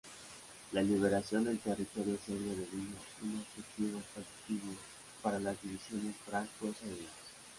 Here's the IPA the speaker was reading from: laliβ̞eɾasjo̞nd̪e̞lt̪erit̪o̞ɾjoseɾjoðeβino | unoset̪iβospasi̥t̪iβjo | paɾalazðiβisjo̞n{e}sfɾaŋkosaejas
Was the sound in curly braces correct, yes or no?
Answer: yes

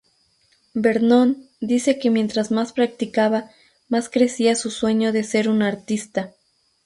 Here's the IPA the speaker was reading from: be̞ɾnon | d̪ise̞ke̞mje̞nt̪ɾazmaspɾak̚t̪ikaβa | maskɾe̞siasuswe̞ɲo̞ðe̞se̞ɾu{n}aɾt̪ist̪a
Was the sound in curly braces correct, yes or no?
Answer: yes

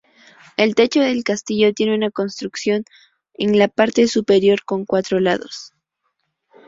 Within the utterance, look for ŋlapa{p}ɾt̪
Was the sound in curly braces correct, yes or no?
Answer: no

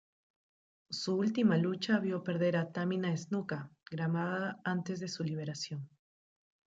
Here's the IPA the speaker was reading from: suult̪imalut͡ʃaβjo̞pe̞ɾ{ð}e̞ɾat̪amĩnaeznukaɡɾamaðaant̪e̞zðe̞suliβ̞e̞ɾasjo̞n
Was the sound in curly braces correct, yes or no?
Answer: yes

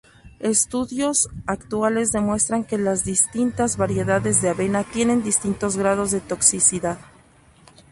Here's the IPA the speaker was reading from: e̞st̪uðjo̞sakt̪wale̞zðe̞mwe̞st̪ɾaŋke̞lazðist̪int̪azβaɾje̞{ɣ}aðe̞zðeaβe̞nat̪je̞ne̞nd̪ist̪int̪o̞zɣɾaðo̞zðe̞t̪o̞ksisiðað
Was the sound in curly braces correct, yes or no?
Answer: no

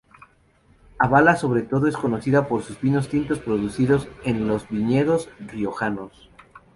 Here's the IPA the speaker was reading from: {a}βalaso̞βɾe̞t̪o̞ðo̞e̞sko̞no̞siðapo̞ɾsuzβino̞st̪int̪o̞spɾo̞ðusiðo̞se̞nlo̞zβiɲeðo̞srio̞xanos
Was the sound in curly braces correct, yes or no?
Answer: yes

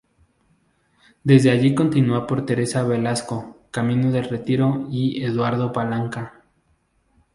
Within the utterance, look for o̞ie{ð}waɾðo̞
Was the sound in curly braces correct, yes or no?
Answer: yes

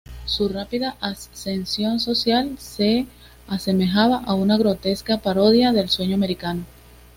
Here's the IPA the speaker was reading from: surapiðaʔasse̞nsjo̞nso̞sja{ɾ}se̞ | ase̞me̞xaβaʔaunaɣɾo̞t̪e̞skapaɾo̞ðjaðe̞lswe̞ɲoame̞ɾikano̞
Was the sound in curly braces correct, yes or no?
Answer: no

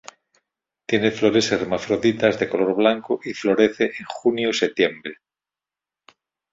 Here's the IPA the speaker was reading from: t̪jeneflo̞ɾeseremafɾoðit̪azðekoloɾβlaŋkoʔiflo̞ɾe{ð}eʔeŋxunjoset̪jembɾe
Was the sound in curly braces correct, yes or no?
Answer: no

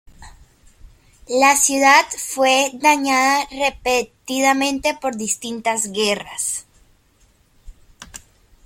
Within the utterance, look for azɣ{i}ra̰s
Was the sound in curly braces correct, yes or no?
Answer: no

